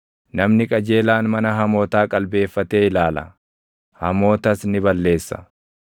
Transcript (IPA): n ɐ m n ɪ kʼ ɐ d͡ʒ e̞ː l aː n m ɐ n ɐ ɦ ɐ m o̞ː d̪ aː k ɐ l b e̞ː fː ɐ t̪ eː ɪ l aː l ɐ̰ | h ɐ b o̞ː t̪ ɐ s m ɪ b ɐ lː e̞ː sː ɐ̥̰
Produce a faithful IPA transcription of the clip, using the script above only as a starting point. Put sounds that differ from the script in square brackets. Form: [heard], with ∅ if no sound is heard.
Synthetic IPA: n ɐ m n ɪ kʼ ɐ d͡ʒ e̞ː l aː n m ɐ n ɐ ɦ ɐ m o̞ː [t̪] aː [kʼ] ɐ l b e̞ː fː ɐ t̪ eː ɪ l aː l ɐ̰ | h ɐ [m] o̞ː t̪ ɐ s [n] ɪ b ɐ lː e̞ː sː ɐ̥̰